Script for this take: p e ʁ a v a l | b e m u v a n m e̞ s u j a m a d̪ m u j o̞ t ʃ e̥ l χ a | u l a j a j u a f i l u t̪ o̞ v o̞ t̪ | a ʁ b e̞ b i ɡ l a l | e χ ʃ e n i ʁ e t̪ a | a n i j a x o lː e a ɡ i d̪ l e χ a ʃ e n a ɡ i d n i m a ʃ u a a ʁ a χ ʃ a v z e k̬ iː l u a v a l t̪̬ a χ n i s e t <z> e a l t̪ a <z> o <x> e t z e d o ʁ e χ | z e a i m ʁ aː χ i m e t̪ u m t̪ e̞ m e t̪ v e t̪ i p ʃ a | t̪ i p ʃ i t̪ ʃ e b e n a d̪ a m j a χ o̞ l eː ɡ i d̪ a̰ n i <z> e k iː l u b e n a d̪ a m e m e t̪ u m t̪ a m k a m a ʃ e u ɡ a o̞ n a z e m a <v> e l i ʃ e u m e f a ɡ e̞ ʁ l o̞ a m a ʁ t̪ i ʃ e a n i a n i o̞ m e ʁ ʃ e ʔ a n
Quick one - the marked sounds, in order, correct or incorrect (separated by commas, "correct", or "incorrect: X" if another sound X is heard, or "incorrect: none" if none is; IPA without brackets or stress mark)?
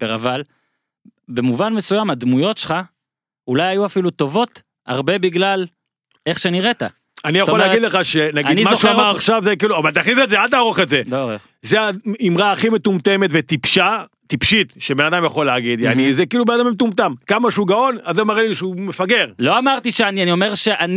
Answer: correct, incorrect: ʁ, incorrect: χ, correct, incorrect: ʁ